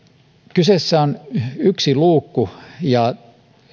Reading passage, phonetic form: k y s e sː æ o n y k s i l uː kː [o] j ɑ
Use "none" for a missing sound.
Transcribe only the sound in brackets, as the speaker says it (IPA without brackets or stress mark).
u